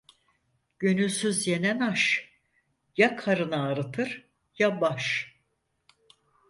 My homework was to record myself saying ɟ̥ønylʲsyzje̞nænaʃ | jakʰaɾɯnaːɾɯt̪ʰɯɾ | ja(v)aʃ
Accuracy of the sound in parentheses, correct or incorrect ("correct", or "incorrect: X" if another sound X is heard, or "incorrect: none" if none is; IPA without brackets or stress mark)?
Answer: incorrect: b